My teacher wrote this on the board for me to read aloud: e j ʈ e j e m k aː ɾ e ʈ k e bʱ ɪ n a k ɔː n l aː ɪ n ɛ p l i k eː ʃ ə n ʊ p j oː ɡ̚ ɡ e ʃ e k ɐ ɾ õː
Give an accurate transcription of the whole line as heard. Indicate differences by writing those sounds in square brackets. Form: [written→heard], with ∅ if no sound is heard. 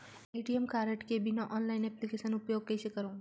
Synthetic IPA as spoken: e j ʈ [e→i] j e m k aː ɾ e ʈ k e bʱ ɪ n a [k→ʔ] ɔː n l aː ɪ n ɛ p l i k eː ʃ ə n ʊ p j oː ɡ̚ [ɡ→k] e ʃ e k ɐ ɾ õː

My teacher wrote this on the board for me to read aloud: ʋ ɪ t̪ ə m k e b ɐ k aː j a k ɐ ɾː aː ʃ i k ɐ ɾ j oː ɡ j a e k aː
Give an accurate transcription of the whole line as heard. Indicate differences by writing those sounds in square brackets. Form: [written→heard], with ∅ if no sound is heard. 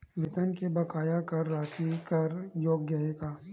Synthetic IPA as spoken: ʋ ɪ t̪ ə [m→n] k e b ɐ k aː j a k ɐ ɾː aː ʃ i k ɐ ɾ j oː ɡ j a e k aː

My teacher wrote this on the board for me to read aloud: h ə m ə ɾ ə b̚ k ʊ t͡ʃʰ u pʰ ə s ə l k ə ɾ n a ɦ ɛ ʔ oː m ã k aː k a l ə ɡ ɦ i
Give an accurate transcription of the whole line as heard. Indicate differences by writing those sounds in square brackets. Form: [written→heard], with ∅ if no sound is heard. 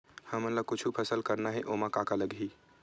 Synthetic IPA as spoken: h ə m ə [ɾ→l] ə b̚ k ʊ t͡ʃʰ u pʰ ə s ə l k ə ɾ n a ɦ ɛ ʔ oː m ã k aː k a l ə ɡ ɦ i

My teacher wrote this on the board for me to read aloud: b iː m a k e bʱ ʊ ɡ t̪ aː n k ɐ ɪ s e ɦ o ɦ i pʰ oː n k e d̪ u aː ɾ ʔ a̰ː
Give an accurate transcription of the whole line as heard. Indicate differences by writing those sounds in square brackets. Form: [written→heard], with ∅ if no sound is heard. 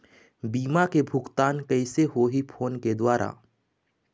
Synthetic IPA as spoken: b iː m a k e bʱ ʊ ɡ t̪ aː n k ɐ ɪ s e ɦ o ɦ i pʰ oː n k e d̪ [u→w] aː ɾ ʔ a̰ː

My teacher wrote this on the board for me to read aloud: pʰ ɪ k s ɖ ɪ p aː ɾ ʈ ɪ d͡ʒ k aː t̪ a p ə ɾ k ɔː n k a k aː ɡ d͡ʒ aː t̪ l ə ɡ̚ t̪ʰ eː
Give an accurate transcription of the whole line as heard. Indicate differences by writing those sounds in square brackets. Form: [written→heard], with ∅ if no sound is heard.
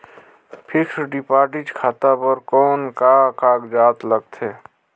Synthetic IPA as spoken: pʰ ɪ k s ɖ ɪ p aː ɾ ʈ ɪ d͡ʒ [k→kʰ] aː t̪ a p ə ɾ k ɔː n k a k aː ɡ d͡ʒ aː t̪ l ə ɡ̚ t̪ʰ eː

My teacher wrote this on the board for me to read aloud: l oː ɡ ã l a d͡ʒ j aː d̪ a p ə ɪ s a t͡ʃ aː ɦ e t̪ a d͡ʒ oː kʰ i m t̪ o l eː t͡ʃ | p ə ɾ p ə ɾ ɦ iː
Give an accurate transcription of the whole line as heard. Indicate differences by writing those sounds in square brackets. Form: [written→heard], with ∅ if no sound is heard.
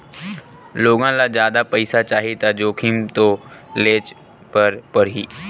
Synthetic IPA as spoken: l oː ɡ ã l a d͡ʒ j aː d̪ a p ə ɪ s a t͡ʃ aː ɦ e t̪ a d͡ʒ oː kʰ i m t̪ o l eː t͡ʃ | p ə ɾ p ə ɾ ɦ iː

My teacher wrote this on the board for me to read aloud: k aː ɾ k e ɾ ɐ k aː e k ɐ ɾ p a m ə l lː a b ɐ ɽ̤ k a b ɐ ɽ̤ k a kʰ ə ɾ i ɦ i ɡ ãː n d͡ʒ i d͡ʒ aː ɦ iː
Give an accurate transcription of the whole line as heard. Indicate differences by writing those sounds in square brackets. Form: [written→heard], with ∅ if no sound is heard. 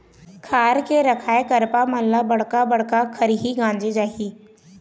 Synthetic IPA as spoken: [k→kʰ] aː ɾ k e ɾ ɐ [k→kʰ] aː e k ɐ ɾ p a m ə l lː a b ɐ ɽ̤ k a b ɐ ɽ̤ k a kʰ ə ɾ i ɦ i ɡ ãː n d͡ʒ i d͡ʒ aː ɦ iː

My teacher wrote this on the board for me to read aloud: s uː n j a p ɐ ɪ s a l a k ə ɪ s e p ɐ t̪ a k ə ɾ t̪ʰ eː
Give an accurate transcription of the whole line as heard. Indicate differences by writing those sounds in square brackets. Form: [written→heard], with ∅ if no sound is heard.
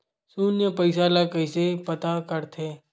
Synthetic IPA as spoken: s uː n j [a→ə] p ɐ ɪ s a l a k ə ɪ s e p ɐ t̪ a k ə ɾ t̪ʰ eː

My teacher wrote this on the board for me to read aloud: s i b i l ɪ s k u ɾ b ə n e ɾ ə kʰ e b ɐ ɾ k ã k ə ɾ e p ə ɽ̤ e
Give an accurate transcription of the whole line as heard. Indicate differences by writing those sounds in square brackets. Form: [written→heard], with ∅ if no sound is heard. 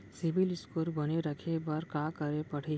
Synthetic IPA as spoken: s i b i l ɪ s k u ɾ b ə n e ɾ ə kʰ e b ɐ ɾ k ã k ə ɾ e p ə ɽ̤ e

